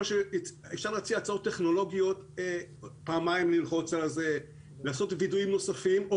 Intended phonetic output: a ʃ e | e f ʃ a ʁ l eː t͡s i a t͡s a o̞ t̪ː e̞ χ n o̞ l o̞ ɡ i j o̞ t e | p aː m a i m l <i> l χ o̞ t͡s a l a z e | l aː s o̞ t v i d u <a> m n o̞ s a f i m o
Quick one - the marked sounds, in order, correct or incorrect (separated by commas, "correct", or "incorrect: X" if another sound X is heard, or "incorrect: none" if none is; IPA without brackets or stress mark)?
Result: correct, incorrect: i